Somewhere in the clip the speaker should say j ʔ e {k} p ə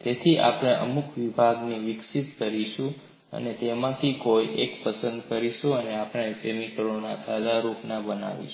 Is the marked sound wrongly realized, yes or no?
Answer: no